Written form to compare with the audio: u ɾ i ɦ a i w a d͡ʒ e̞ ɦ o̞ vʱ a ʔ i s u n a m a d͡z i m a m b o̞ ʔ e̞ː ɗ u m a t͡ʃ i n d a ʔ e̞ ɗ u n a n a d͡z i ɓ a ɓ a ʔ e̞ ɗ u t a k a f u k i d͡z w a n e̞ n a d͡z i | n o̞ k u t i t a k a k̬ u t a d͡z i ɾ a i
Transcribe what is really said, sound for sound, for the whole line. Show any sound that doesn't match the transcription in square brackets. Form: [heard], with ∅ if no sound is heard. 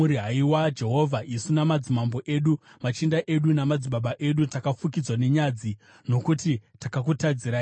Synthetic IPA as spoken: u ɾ i ɦ a i w a d͡ʒ e̞ ɦ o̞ vʱ a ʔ i s u n a m a d͡z i m a m b o̞ ʔ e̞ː ɗ u m a t͡ʃ i n d a ʔ e̞ ɗ u n a [m] a d͡z i ɓ a ɓ a ʔ e̞ ɗ u t a k a f u k i d͡z w a n e̞ [ɲ] a d͡z i | n o̞ k u t i t a k a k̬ u t a d͡z i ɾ a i